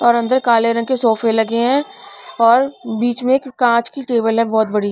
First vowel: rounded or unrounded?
rounded